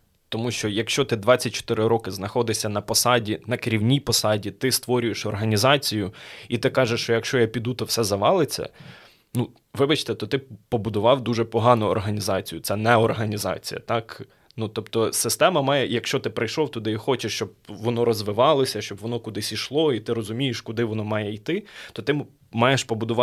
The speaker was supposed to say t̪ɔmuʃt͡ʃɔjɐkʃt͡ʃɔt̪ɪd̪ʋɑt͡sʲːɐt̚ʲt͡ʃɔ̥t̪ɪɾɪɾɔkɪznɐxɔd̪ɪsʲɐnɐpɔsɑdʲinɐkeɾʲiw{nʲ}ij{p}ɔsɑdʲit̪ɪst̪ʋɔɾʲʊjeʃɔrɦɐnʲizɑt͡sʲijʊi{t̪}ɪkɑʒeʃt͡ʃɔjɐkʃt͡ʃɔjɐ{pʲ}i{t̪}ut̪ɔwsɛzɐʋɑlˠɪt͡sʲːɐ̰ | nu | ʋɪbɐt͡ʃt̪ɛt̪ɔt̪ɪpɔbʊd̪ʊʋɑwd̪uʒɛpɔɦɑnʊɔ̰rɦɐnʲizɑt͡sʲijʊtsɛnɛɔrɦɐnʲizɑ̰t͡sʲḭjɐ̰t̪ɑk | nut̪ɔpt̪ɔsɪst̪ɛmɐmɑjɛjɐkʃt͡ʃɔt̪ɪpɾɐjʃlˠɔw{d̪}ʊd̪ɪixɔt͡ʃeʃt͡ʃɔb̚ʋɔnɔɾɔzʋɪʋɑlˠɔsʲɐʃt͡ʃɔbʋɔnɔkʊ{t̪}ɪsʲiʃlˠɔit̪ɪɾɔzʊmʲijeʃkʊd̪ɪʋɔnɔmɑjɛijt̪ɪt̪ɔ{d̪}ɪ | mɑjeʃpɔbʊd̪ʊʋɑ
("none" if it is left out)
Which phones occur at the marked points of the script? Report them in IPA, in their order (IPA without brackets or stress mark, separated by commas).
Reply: nʲ, p, t̪, pʲ, d̪, t̪, d̪, t̪